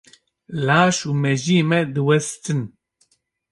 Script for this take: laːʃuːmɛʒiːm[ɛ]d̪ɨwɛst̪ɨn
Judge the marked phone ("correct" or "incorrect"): correct